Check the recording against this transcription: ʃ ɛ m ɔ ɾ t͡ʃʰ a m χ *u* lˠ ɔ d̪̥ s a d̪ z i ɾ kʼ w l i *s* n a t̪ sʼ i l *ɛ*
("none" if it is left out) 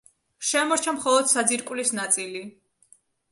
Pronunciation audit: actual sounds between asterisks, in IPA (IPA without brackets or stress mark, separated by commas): ɔ, s, i